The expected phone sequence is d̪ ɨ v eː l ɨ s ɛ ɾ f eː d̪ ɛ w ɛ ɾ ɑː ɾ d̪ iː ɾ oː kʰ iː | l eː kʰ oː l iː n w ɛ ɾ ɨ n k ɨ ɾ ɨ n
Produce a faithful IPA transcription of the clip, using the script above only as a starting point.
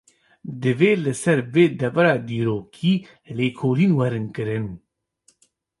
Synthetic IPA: d̪ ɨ v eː l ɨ s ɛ ɾ v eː d̪ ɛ v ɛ ɾ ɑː d̪ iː ɾ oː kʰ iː | l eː kʰ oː l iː n w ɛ ɾ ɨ n k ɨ ɾ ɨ n

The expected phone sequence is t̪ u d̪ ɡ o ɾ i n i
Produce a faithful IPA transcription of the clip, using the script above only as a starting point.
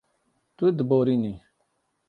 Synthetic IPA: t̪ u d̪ b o ɾ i n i

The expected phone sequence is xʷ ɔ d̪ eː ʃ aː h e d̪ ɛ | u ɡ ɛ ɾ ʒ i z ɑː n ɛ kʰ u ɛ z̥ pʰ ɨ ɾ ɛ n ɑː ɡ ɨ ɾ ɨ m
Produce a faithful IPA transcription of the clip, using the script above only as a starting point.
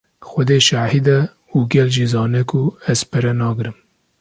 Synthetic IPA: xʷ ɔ d̪ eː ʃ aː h i d̪ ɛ | u ɡ ɛ l ʒ i z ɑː n ɛ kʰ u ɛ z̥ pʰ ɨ ɾ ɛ n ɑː ɡ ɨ ɾ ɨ m

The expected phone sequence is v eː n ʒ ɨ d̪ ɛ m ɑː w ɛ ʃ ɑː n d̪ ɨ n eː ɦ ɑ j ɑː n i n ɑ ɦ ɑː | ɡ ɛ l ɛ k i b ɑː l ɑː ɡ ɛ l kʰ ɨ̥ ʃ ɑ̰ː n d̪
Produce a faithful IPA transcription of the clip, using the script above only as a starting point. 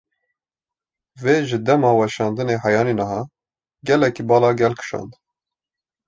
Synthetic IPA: v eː ʒ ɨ d̪ ɛ m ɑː w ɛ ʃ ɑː n d̪ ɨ n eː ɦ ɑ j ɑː n i n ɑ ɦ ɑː | ɡ ɛ l ɛ k i b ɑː l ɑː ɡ ɛ l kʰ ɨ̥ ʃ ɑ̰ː n d̪

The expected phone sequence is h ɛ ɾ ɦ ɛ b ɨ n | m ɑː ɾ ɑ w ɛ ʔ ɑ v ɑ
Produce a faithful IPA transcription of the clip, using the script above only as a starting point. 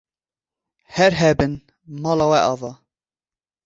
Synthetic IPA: h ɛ ɾ ɦ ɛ b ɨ n | m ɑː l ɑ w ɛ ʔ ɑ v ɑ

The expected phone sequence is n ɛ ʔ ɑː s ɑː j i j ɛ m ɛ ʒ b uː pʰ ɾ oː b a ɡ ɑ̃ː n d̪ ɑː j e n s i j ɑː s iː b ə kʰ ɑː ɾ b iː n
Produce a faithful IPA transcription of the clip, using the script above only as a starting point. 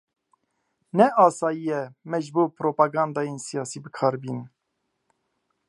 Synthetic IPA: n ɛ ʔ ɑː s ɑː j i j ɛ m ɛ ʒ b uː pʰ ɾ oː p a ɡ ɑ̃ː n d̪ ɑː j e n s i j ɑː s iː b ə kʰ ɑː ɾ b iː n

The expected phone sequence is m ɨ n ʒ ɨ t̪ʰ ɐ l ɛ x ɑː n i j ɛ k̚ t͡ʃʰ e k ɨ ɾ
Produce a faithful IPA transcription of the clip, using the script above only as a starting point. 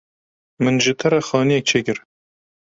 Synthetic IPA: m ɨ n ʒ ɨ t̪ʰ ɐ ɾ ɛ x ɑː n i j ɛ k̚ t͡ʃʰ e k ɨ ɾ

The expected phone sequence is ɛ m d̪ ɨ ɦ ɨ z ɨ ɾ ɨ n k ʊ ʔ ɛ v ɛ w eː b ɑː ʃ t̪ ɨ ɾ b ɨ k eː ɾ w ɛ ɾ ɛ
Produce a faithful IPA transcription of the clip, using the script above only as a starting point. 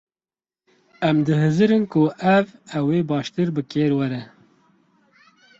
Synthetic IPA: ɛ m d̪ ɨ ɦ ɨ z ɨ ɾ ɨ n k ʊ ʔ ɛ v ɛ w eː b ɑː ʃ t̪ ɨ ɾ b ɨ k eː ɾ w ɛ ɾ ɛ

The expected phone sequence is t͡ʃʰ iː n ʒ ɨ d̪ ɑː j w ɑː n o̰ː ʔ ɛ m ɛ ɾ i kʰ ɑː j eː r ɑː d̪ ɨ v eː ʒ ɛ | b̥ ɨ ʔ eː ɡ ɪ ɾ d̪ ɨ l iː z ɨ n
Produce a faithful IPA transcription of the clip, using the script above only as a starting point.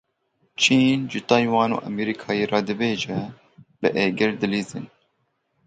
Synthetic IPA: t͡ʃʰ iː n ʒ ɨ t̪ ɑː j w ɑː n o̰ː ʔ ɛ m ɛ ɾ i kʰ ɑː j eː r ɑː d̪ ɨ b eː ʒ ɛ | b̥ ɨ ʔ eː ɡ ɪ ɾ d̪ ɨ l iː z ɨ n

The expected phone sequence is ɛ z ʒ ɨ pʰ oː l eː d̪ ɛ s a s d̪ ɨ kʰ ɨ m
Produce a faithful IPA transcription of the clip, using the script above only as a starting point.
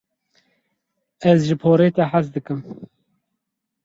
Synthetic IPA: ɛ z ʒ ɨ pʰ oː ɾ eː t̪ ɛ ħ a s d̪ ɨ k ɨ m

